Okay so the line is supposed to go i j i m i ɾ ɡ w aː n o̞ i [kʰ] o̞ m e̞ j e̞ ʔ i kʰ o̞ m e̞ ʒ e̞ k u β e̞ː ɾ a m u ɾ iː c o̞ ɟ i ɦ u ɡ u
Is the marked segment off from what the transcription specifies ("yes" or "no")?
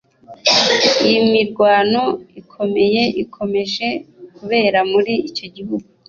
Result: no